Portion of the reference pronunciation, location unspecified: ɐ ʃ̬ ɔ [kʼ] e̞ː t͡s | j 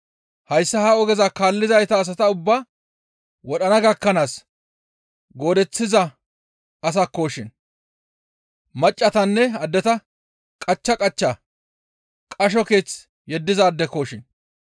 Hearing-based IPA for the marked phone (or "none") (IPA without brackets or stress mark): k